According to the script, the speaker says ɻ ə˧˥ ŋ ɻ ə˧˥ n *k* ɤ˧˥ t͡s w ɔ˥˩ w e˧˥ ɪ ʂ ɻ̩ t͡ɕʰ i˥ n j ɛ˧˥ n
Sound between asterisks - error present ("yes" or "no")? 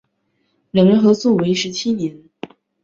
yes